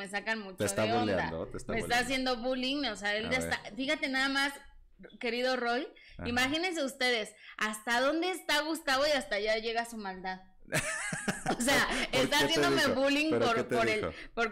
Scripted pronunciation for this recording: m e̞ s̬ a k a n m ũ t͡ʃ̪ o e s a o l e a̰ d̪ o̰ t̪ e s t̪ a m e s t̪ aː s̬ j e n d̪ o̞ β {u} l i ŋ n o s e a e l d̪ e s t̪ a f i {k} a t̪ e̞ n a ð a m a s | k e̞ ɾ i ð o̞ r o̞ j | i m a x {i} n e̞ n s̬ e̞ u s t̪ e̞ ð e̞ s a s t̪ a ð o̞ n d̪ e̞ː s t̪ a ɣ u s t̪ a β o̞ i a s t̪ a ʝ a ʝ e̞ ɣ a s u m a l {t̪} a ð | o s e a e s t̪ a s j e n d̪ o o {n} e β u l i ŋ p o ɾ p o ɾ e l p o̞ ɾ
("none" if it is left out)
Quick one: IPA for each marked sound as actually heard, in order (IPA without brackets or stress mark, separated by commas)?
u, x, i, d̪, m